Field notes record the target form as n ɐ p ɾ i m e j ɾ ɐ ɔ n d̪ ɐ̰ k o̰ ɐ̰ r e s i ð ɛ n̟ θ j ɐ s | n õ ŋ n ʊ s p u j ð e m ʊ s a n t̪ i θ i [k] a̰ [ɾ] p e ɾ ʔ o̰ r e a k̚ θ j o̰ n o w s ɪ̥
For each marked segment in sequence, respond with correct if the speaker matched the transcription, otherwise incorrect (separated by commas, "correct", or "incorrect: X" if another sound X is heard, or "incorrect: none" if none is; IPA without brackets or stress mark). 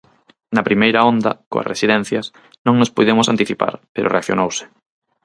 incorrect: p, correct